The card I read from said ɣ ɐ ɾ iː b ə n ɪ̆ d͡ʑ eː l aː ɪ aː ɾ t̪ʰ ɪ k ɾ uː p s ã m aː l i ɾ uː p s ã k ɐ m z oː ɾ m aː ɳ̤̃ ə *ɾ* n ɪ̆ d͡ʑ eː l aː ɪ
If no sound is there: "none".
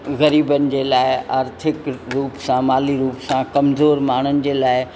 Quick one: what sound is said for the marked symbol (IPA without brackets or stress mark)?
none